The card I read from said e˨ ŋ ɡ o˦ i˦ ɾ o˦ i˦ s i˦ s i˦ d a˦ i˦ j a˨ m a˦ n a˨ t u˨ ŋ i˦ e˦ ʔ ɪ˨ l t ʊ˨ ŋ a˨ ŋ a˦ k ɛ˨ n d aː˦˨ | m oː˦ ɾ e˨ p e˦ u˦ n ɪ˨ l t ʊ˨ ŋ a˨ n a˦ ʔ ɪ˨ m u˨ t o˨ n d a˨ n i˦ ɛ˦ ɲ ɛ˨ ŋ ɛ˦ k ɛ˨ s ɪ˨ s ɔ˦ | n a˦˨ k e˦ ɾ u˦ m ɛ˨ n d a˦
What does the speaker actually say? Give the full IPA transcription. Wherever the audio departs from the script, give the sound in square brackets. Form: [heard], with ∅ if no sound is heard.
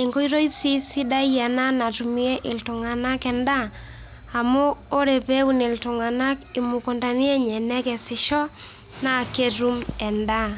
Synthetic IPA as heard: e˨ ŋ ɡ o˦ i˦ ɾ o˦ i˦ s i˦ s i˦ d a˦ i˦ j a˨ [n] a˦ n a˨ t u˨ [m] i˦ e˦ ʔ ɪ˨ l t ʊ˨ ŋ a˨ [n] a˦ k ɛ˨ n d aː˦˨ | m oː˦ ɾ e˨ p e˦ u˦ n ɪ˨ l t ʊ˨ ŋ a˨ n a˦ [k] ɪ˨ m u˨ [k] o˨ n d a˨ n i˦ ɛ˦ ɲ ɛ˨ [n] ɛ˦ k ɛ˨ s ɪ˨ [ʃ] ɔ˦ | n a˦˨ k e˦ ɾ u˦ m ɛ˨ n d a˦